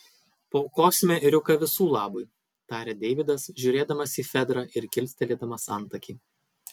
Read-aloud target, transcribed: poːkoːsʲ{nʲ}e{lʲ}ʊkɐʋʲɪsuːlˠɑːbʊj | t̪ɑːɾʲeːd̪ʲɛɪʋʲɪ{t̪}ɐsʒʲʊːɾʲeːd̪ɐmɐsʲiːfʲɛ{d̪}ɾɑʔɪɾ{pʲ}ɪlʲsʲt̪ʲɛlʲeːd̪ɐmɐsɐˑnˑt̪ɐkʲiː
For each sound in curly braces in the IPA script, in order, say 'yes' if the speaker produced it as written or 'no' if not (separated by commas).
no, no, no, yes, no